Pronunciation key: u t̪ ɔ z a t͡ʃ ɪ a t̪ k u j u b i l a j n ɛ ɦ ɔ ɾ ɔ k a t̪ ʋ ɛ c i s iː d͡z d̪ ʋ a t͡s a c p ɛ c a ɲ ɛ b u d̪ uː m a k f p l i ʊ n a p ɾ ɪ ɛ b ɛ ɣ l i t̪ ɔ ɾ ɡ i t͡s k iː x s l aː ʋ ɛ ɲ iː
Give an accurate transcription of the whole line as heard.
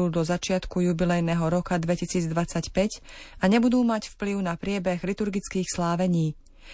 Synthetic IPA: u d̪ ɔ z a t͡ʃ ɪ a t̪ k u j u b i l ɛ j n ɛ ɦ ɔ ɾ ɔ k a d̪ ʋ ɛ c i s iː d͡z d̪ ʋ a t͡s a c p ɛ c a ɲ ɛ b u d̪ uː m a c f p l i ʊ n a p ɾ ɪ ɛ b ɛ ɣ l i t̪ u ɾ ɡ i t͡s k iː x s l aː ʋ ɛ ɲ iː